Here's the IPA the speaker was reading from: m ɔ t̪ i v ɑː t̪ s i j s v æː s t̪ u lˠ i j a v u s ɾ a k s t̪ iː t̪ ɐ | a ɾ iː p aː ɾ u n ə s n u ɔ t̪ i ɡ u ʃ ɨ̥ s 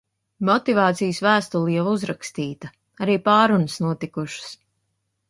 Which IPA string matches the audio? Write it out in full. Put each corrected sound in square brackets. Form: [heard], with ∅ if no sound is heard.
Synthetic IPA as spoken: m ɔ t̪ i v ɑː t̪ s i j s v æː s t̪ u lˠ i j a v u [z] ɾ a k s t̪ iː t̪ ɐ | a ɾ iː p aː ɾ u n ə s n u ɔ t̪ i [k] u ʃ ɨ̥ s